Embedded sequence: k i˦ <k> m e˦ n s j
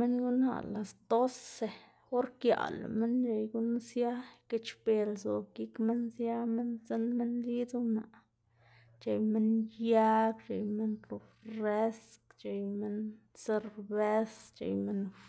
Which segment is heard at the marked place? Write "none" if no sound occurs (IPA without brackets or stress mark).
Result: k